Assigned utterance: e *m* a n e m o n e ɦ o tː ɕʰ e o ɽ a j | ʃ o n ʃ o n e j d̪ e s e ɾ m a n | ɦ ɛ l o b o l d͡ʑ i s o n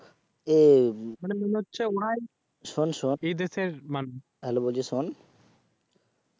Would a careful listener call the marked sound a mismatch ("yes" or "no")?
no